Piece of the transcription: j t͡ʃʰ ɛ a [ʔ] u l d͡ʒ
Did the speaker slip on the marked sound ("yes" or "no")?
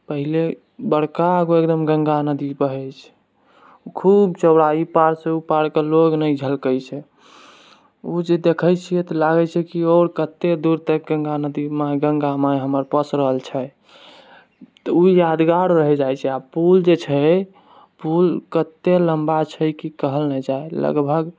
yes